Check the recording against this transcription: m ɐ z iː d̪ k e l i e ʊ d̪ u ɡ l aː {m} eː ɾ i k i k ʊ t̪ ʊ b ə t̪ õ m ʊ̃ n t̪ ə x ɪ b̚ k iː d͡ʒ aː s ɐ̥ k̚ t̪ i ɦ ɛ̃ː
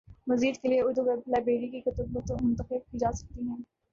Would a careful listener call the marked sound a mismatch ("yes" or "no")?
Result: yes